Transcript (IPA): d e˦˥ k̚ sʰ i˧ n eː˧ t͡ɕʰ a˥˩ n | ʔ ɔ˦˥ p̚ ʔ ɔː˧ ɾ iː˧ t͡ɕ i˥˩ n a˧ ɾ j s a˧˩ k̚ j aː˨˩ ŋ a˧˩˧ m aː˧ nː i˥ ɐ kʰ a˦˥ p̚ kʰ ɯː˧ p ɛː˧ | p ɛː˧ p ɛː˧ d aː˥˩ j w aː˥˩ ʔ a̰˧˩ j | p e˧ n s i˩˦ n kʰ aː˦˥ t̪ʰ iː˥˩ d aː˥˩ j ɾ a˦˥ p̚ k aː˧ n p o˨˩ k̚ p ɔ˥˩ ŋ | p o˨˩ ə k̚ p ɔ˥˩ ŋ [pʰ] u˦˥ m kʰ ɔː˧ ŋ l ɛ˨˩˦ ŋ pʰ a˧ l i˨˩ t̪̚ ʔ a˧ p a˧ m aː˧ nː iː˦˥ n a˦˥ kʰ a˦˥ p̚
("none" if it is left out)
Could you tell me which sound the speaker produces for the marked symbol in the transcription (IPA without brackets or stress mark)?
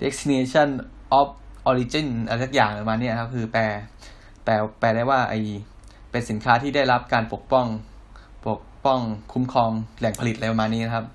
kʰ